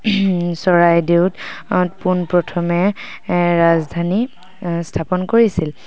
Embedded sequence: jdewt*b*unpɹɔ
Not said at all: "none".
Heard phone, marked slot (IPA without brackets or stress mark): p